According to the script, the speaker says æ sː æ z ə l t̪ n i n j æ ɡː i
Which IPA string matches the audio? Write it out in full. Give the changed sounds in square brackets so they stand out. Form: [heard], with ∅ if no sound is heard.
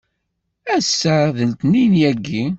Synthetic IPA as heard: æ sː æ [ð] ə l t̪ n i n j æ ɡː i